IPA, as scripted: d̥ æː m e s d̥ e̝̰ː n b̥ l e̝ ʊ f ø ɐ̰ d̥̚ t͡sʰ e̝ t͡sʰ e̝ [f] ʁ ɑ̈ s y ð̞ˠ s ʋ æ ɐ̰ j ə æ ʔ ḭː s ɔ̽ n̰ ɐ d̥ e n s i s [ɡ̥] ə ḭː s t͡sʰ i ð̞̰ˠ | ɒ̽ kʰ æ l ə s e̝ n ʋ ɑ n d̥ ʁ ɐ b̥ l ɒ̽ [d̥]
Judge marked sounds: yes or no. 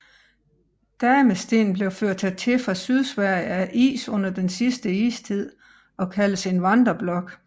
yes, no, no

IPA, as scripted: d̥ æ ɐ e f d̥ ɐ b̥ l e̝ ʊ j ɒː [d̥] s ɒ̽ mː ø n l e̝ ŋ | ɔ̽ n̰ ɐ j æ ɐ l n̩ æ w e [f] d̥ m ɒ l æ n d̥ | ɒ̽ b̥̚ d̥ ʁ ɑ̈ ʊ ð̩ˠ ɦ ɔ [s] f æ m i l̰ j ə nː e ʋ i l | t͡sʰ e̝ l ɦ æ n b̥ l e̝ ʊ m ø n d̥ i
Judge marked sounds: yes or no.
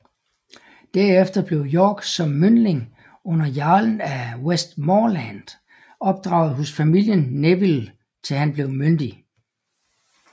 no, no, yes

